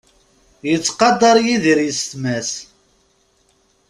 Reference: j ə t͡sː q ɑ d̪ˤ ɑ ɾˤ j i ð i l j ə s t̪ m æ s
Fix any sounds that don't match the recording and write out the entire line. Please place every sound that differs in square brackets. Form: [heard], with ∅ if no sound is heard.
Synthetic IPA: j ə t͡sː q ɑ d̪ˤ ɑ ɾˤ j i ð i [ɾ] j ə s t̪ m æ s